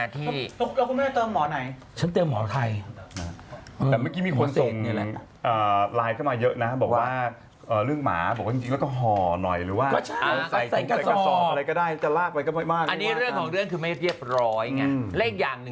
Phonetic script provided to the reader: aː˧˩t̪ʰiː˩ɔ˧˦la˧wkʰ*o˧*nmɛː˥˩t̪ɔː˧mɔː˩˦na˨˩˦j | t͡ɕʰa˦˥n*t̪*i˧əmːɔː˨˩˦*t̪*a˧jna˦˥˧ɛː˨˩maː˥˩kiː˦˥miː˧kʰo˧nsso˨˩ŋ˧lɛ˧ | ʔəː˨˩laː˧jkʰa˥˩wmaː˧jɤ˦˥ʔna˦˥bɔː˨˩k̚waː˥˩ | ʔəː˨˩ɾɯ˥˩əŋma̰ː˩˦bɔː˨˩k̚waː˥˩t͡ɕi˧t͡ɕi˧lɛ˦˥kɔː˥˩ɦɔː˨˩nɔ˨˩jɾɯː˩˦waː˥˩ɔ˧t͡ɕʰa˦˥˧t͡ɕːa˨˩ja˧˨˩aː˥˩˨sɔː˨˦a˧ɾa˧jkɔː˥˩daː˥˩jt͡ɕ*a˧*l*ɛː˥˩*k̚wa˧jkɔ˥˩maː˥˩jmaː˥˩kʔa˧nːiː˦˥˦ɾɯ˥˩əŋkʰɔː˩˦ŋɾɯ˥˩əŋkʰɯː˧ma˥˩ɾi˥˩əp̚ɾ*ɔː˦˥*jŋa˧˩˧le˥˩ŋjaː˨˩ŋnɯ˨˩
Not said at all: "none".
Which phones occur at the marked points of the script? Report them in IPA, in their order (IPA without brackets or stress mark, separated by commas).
u˧, t̪, t̪ʰ, a˨˩, aː˥˩, ɔː˦˥